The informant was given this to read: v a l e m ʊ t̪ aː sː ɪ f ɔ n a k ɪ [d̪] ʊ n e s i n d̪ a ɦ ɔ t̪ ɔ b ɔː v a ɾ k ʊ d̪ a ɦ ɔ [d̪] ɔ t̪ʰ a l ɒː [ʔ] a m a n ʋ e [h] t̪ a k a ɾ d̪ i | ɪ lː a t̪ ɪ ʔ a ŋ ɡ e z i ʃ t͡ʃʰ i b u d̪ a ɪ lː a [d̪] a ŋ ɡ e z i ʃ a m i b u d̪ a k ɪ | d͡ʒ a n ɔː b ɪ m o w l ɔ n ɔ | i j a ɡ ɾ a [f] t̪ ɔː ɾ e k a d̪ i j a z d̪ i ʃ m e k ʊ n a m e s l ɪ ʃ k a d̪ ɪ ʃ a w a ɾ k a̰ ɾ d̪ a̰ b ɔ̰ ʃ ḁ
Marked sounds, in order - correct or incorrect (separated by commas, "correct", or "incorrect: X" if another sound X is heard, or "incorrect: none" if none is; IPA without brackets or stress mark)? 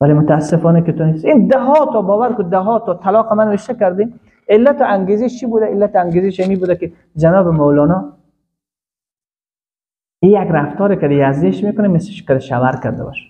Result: incorrect: t̪, incorrect: t̪, incorrect: q, incorrect: ʃ, incorrect: t̪, correct